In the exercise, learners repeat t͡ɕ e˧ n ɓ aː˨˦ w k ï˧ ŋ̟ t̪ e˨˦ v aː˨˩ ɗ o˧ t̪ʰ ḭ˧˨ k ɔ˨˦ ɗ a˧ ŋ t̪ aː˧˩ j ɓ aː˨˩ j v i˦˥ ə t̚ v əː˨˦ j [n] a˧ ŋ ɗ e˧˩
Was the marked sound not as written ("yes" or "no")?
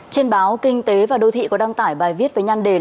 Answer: yes